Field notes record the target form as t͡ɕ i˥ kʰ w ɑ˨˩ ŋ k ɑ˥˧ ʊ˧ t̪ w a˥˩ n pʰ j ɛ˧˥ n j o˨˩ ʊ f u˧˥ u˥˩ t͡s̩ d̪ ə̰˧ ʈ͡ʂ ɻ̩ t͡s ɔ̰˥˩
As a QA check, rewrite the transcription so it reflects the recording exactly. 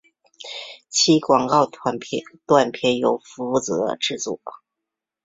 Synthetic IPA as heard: t͡ɕʰ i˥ k w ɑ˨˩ ŋ k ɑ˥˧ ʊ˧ t̪ w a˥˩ n pʰ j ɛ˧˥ n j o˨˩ ʊ f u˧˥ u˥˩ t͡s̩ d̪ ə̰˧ ʈ͡ʂ ɻ̩ t͡s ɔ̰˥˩